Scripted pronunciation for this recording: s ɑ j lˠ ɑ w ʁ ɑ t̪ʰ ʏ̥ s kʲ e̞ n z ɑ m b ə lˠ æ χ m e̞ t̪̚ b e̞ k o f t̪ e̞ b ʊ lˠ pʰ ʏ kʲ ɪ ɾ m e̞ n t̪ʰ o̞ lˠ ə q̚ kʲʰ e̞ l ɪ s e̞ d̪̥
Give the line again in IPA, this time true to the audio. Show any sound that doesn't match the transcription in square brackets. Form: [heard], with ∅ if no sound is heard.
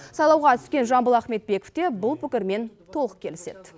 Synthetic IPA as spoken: s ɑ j lˠ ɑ w ʁ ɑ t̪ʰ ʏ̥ s kʲ e̞ n [ʒ] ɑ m b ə lˠ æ χ m e̞ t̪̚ b e̞ k o f t̪ e̞ b ʊ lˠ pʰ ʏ kʲ ɪ ɾ m e̞ n t̪ʰ o̞ lˠ ə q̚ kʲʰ e̞ l ɪ s e̞ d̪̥

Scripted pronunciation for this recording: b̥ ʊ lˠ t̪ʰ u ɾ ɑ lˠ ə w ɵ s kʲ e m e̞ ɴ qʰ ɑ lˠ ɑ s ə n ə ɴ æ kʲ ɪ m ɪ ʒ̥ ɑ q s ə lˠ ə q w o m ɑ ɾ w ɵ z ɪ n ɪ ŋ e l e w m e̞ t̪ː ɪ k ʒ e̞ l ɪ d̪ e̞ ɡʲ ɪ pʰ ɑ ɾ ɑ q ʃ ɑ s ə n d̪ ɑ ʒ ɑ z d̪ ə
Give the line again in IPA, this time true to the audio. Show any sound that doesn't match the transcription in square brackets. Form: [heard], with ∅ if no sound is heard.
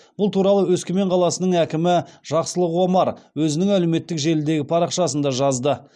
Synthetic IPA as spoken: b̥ ʊ lˠ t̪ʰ u ɾ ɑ lˠ ə w ɵ s kʲ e m e̞ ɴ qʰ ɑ lˠ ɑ s ə n ə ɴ æ kʲ ɪ m ɪ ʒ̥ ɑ q s ə lˠ ə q w o m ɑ ɾ w ɵ z ɪ n ɪ ŋ [æ] l e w m e̞ t̪ː ɪ k ʒ e̞ l ɪ d̪ e̞ ɡʲ ɪ pʰ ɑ ɾ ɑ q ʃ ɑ s ə n d̪ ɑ ʒ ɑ z d̪ ə

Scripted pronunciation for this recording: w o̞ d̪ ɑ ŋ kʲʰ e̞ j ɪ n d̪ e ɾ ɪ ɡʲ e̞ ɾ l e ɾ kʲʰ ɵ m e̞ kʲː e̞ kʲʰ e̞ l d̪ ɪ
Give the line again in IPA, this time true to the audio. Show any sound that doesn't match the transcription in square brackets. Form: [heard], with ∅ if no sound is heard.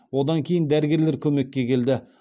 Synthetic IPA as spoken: w o̞ d̪ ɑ ŋ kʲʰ e̞ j ɪ n d̪ [æ] ɾ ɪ ɡʲ e̞ ɾ l e ɾ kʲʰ ɵ m e̞ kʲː e̞ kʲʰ e̞ l d̪ ɪ

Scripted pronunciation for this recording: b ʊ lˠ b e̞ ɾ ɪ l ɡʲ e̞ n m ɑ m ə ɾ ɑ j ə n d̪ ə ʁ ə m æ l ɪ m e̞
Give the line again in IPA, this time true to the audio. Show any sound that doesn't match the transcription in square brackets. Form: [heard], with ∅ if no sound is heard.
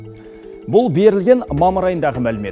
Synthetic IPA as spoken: b ʊ lˠ b e̞ ɾ ɪ l ɡʲ e̞ n m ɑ m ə ɾ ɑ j ə n d̪ [ɑ] ʁ ə m æ l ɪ m e̞

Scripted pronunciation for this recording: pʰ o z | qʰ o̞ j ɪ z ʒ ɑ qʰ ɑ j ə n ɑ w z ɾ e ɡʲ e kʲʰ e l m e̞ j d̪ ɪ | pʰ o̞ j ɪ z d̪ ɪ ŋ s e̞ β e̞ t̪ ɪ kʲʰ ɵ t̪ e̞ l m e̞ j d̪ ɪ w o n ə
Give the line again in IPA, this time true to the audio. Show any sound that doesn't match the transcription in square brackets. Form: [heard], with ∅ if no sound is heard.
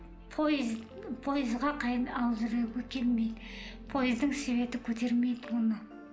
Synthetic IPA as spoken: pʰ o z | [pʰ] o̞ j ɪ z [ʁ] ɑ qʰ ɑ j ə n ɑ w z ɾ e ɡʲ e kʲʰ e l m e̞ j d̪ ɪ | pʰ o̞ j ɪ z d̪ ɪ ŋ s e̞ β e̞ t̪ ɪ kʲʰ ɵ t̪ e̞ [ɾ] m e̞ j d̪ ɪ w o n ə

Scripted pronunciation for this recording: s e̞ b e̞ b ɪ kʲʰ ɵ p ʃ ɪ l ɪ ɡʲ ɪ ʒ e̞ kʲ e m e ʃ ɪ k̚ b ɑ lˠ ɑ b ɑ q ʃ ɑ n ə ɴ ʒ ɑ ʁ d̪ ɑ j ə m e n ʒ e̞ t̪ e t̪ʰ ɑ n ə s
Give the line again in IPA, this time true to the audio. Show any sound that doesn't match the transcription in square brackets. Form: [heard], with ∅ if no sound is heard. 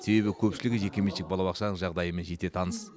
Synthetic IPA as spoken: s e̞ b e̞ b ɪ kʲʰ ɵ p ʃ ɪ l ɪ ɡʲ ɪ ʒ e̞ kʲ e m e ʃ ɪ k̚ b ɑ lˠ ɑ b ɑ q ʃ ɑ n ə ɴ ʒ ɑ ʁ d̪ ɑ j ə m e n ʒ e̞ t̪ e t̪ʰ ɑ n ə s

